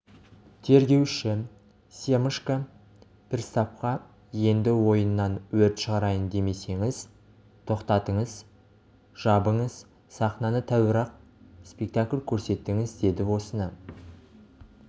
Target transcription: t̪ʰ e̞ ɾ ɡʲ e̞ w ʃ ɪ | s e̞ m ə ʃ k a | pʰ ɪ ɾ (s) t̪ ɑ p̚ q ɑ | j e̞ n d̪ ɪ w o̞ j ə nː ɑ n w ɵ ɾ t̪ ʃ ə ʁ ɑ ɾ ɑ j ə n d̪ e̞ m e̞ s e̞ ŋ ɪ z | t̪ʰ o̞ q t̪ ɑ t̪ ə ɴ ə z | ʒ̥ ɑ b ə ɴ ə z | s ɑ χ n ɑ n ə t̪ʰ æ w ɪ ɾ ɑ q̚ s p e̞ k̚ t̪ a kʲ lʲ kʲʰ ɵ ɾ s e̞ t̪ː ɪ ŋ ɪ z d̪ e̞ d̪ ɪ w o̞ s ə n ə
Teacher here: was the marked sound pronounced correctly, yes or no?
yes